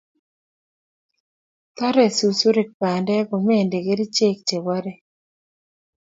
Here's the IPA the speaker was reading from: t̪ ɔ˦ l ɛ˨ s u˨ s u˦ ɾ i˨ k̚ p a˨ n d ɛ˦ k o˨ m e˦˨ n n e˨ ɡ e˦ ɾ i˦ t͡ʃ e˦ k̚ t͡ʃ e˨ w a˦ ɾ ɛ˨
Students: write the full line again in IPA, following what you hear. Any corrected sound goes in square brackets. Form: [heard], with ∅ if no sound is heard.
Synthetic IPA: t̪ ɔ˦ [ɾ] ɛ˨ s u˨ s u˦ ɾ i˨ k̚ p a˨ n d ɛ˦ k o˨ m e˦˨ n [d] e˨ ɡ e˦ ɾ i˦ t͡ʃ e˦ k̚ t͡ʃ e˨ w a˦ ɾ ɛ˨